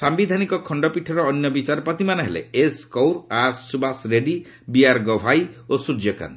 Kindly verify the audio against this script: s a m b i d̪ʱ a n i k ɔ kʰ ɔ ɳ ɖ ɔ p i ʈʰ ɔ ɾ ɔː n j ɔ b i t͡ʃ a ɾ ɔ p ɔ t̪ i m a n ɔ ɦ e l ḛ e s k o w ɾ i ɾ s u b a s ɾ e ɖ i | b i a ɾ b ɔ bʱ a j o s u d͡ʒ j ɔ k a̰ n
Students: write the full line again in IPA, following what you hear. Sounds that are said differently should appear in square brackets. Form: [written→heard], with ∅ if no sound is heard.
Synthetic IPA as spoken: s a m b i d̪ʱ a n i k ɔ kʰ ɔ ɳ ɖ ɔ p i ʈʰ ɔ ɾ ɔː n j ɔ b i t͡ʃ a ɾ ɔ p ɔ t̪ i m a n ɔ ɦ e l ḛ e s k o w ɾ [i→a] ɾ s u b a s ɾ e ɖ i | b i a ɾ [b→ɡ] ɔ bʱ a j o s u d͡ʒ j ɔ k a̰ n